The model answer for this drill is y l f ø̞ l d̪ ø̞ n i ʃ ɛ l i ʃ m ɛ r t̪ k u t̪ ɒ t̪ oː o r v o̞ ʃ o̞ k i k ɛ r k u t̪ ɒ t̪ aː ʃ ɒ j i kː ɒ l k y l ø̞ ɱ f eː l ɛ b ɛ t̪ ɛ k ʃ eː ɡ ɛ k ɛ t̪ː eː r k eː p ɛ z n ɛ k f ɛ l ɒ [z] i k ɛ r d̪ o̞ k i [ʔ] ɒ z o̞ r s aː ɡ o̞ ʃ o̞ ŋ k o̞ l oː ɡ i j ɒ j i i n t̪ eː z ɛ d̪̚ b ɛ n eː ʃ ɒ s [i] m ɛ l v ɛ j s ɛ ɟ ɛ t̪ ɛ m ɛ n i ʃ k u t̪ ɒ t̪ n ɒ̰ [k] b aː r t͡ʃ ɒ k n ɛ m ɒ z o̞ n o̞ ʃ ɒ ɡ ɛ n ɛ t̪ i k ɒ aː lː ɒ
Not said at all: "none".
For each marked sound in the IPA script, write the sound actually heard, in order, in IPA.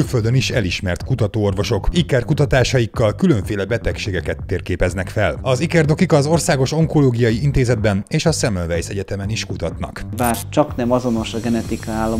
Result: z, k, ɛ, k

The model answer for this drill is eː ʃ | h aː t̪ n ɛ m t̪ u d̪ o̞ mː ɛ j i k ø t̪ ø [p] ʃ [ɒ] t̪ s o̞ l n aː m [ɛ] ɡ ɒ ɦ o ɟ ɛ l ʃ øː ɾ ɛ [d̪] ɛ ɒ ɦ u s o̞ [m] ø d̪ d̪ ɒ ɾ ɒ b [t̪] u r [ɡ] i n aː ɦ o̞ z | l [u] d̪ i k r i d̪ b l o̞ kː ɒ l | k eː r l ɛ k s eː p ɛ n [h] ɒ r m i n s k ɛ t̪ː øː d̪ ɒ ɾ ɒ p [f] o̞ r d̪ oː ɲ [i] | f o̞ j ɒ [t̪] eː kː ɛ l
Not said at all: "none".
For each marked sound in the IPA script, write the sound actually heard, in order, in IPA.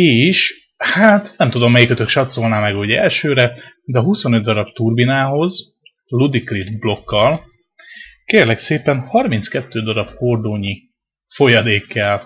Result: k, ɒ, ɛ, d̪, n, t̪, b, u, h, h, i, d̪

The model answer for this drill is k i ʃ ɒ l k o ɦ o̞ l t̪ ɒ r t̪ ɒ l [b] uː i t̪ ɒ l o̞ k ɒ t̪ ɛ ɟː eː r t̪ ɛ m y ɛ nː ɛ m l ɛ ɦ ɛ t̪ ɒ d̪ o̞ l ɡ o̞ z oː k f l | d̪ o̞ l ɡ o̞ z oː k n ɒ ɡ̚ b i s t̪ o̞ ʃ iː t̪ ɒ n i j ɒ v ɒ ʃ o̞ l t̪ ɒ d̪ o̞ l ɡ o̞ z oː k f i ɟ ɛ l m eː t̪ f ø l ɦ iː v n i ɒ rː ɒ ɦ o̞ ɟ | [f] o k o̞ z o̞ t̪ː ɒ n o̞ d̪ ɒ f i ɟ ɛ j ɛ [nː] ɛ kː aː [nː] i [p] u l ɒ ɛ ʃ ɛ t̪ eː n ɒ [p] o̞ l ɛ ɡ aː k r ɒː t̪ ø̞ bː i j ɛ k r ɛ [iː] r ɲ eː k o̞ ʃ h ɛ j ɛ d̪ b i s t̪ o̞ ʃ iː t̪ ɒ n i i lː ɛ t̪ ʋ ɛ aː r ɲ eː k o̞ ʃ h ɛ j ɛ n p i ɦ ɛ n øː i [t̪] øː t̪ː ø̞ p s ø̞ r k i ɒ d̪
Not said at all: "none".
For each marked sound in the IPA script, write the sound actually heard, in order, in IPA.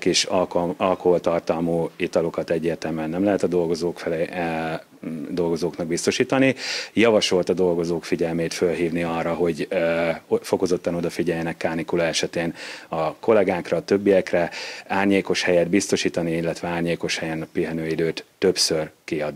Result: m, f, n, n, k, k, aː, d̪

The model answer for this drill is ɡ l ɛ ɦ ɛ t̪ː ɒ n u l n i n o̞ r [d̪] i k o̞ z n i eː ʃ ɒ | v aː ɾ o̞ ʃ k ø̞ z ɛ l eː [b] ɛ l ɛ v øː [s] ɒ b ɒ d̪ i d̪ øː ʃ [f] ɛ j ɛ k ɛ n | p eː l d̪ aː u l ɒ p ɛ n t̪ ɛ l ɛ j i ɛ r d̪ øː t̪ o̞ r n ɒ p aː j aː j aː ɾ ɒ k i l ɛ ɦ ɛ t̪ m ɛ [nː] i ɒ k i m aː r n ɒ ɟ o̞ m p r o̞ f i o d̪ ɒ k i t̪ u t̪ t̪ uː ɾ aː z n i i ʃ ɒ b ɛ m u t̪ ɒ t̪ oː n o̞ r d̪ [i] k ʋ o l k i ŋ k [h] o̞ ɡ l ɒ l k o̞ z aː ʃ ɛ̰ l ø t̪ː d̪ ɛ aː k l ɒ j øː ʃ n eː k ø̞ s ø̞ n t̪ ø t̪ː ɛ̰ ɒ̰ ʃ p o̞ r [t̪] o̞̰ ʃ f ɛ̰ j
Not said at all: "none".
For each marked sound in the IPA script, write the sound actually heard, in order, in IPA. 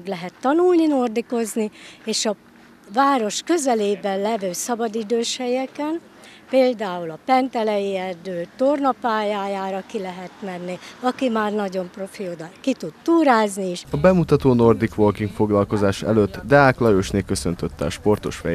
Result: d̪, b, s, h, nː, i, f, t̪

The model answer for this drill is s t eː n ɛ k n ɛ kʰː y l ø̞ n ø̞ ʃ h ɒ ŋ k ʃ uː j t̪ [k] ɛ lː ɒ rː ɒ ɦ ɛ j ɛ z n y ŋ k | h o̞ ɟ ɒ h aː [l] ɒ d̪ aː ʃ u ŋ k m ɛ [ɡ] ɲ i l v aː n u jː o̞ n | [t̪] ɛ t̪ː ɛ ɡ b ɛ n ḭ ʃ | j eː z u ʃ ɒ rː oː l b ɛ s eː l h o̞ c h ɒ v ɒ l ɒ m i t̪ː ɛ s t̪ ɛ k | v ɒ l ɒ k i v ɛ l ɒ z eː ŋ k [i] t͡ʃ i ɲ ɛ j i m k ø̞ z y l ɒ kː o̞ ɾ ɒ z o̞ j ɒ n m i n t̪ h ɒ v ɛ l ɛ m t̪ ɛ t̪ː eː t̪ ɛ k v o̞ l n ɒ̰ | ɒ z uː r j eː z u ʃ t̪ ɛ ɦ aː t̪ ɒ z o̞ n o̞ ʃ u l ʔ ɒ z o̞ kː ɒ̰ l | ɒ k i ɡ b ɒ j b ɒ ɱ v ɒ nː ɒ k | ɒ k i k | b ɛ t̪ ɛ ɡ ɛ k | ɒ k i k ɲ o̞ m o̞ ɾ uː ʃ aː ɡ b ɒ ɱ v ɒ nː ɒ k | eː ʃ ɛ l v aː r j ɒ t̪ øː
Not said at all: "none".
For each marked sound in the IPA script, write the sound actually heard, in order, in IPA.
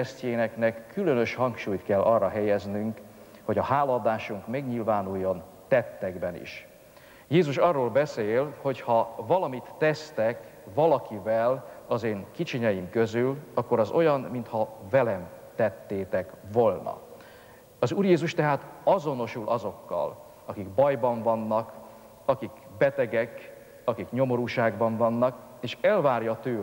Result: k, l, ɡ, t̪, i

